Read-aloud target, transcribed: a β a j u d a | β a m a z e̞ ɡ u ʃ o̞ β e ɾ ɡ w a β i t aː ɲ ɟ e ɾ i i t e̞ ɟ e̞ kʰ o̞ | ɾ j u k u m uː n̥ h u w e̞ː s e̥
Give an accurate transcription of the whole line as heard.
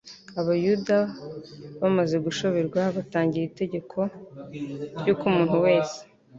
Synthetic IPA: a β a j u d a | β a m a z e̞ ɡ u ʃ o̞ β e ɾ ɡ w a β a t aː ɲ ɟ i ɾ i i t e̞ ɟ e̞ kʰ o̞ | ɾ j u k u m uː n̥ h u w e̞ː s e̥

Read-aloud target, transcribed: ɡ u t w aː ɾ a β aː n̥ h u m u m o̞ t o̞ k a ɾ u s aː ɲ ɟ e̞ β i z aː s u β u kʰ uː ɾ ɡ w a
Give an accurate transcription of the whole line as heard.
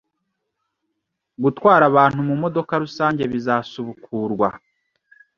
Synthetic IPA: ɡ u t w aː ɾ a β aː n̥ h u m u m o̞ d o̞ k a ɾ u s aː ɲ ɟ e̞ β i z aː s u β u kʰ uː ɾ ɡ w a

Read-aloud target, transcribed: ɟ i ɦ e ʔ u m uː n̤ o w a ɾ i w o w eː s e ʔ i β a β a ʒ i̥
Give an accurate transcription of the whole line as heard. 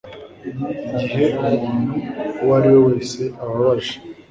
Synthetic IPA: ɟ i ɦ e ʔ u m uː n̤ u w a ɾ i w o w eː s e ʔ a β a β a ʒ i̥

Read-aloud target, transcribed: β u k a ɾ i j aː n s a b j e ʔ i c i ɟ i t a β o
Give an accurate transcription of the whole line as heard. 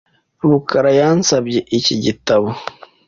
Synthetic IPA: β u k a ɾ a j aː n s a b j e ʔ i c i ɟ i t a β o

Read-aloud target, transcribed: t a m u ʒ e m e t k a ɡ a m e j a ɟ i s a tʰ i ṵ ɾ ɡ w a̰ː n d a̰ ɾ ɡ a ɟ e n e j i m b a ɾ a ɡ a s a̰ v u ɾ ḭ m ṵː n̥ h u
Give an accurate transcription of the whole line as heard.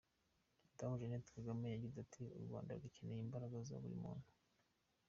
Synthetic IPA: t a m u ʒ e n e t k a ɡ a m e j a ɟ i z a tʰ i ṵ ɾ ɡ w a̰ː n d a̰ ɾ ɡ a c e n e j i m b a ɾ a ɡ a z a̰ β u ɾ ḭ m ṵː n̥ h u

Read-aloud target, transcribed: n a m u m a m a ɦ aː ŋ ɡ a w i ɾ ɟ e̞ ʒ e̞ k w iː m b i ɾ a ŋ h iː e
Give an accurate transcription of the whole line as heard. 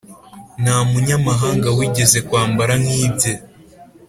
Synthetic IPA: n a m u ɲ a m a ɦ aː ŋ ɡ a w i ɟ e̞ z e̞ k w aː m b a ɾ a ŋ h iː e

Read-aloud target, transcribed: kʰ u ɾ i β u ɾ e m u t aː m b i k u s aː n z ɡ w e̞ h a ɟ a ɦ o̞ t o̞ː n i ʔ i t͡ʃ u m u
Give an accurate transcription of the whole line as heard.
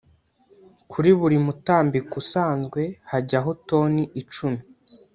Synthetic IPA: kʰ u ɾ i β u ɾ i m u t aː m b i k u s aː n z ɡ w e̞ h a ɟ a ɦ o̞ t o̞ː n i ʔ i t͡ʃ u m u

